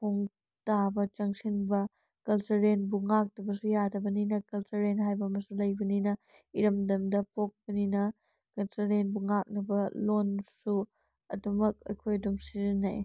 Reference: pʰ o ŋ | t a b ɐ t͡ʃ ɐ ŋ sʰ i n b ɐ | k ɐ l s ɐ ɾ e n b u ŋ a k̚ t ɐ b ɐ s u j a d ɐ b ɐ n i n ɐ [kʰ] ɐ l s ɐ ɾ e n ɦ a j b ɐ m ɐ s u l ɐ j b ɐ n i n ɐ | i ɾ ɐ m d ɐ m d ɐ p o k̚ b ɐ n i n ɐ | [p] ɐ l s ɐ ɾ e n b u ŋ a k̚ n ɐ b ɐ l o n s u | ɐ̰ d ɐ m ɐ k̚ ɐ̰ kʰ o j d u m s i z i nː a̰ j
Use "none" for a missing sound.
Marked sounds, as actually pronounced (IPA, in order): k, k

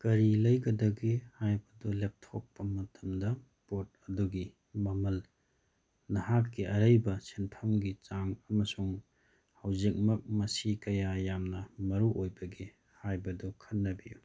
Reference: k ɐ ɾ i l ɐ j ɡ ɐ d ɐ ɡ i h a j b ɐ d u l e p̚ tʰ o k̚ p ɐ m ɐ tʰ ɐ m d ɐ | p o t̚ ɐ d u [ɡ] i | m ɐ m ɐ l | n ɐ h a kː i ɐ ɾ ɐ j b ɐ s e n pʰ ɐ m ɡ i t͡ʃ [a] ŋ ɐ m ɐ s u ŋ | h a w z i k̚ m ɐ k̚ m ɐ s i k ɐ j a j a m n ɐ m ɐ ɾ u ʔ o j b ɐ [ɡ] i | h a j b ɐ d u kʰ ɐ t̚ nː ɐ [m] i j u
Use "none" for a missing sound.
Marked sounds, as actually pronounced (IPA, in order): ɡ, a, ɡ, b

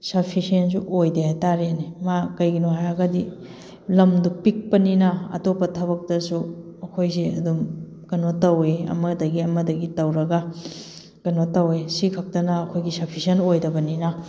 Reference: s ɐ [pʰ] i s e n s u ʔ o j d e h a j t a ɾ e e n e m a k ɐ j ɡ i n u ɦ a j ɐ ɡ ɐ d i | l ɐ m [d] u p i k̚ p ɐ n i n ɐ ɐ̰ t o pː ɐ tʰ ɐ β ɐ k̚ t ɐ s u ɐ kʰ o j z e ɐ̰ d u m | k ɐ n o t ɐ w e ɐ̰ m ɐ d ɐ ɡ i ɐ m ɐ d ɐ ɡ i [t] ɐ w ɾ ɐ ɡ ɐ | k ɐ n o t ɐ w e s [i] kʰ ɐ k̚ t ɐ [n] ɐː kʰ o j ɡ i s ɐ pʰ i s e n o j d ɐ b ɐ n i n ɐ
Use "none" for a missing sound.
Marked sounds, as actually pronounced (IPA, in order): pʰ, d, t, i, n

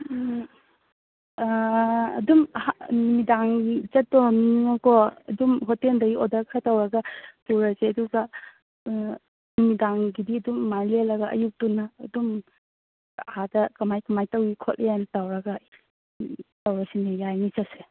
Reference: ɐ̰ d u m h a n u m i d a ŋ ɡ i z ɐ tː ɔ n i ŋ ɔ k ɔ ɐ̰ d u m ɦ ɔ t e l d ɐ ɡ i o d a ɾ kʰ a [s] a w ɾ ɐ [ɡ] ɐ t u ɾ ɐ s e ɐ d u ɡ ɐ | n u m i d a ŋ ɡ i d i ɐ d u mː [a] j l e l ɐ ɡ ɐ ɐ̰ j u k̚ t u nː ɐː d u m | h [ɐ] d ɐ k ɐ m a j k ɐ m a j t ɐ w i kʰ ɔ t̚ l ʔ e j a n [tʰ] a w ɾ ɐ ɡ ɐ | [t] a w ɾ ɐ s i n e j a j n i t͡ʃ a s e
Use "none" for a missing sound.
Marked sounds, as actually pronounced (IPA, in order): t, ɡ, a, a, t, t

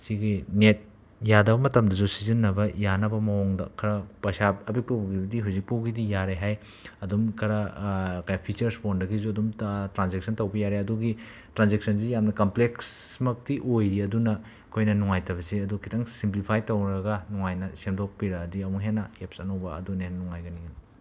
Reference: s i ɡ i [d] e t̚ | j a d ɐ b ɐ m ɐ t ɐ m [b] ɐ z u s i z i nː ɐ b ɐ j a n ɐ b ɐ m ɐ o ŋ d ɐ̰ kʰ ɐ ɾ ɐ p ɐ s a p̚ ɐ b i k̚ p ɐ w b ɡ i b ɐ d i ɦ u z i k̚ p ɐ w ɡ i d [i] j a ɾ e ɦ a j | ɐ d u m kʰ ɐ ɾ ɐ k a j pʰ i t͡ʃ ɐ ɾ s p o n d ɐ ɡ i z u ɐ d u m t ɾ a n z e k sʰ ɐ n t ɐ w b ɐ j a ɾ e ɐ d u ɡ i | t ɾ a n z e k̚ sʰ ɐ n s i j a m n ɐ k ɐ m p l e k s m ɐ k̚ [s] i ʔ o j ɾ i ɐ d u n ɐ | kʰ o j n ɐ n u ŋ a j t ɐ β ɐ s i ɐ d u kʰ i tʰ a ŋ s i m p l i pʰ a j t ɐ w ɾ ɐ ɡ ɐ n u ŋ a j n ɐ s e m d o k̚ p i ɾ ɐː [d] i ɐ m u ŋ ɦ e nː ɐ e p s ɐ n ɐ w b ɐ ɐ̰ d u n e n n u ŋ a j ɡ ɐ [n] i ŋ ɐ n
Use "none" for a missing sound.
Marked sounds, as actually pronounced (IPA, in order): n, d, i, t, d, n

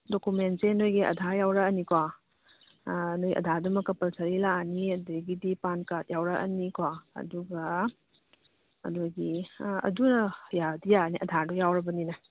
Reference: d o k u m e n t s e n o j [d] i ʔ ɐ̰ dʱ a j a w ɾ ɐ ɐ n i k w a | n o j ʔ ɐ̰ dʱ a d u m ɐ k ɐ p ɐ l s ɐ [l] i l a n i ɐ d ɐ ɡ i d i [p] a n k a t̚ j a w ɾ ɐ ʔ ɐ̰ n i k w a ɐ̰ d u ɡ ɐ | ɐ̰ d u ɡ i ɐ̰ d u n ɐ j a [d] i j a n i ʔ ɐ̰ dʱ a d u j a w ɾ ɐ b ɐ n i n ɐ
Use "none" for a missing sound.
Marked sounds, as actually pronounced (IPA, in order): ɡ, ɾ, p, d

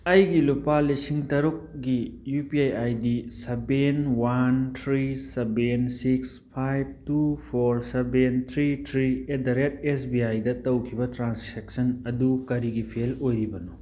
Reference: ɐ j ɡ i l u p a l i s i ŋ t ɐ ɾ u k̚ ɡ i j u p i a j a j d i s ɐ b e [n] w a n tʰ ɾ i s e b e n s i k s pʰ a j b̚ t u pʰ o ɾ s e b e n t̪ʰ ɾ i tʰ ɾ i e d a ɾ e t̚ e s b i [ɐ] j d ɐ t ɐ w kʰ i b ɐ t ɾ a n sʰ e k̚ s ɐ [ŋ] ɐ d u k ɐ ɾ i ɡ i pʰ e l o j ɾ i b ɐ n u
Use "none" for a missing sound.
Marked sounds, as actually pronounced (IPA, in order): n, a, n

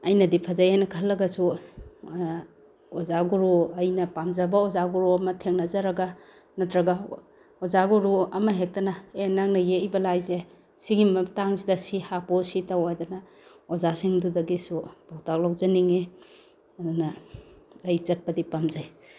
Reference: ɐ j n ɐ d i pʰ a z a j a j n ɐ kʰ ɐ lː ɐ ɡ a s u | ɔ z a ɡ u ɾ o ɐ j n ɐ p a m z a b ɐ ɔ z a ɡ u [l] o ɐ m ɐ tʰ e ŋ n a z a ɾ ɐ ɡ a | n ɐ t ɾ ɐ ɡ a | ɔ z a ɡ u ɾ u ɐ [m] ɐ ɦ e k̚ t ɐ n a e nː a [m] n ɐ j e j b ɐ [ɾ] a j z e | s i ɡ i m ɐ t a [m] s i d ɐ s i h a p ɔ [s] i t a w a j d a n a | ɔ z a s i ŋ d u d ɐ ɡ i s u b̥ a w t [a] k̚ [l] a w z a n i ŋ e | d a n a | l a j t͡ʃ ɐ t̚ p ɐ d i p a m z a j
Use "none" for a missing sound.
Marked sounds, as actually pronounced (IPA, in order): ɾ, m, ŋ, l, ŋ, s, a, l

